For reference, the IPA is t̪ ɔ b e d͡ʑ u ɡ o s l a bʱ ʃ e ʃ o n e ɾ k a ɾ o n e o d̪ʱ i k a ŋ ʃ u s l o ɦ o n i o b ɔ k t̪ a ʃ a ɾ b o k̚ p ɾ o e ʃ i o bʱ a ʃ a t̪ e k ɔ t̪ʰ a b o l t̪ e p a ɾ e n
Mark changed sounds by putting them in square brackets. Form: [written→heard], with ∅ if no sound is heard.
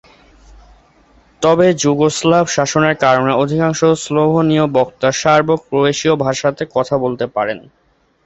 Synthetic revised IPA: t̪ ɔ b e d͡ʑ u ɡ o s l a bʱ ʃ [e→a] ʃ o n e ɾ k a ɾ o n e o d̪ʱ i k a ŋ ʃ [u→o] s l o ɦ o n i o b ɔ k t̪ a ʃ a ɾ b o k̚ p ɾ o e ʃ i o bʱ a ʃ a t̪ e k ɔ t̪ʰ a b o l t̪ e p a ɾ e n